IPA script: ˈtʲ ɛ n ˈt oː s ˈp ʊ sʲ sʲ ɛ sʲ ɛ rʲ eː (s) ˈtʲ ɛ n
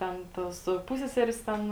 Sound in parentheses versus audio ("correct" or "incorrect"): correct